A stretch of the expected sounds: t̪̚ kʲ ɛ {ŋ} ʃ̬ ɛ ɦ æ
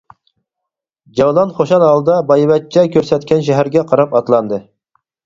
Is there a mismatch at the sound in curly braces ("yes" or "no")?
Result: yes